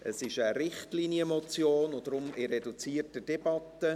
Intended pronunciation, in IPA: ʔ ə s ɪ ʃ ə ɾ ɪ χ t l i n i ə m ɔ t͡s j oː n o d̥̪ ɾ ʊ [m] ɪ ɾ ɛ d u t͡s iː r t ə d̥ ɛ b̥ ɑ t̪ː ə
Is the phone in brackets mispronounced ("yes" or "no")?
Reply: no